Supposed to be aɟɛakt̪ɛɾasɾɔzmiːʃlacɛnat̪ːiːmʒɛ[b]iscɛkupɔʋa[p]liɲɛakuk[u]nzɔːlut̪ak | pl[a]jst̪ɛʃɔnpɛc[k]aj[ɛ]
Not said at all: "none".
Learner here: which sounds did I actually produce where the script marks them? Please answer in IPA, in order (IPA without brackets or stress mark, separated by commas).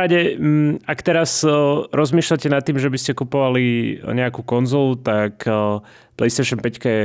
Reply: b, none, ɔ, ɛ, k, ɛ